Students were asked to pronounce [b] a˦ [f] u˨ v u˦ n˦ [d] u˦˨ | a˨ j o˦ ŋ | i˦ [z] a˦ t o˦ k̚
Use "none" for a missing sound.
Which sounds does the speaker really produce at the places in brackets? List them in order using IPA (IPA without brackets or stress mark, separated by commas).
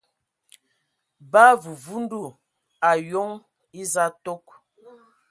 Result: b, v, d, z